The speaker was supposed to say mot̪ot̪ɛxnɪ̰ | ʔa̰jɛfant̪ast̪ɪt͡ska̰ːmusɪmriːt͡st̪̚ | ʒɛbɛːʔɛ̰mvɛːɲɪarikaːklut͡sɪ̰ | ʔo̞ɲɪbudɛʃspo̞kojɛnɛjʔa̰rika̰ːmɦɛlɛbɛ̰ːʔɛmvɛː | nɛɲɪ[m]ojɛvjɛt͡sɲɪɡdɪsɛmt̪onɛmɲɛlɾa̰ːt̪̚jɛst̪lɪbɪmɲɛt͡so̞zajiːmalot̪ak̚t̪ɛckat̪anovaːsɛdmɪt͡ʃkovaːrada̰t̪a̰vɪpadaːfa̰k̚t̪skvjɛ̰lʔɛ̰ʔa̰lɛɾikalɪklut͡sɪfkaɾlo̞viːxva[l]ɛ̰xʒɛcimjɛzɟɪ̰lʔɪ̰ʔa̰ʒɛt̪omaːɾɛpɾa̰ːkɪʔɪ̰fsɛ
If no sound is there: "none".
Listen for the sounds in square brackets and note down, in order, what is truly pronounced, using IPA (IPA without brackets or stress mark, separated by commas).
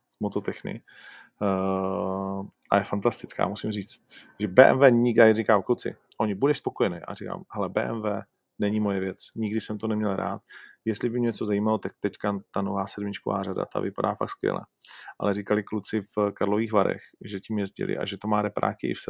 m, ɾ